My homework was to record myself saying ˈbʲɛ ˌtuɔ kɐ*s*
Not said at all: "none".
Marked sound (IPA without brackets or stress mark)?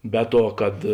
t